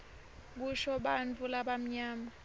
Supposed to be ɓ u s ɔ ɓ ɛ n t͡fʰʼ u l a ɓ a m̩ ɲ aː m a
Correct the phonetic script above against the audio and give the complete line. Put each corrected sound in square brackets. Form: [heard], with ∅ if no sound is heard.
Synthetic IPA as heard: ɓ u [ʃ] ɔ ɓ [a] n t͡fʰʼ u l a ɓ a m̩ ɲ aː m a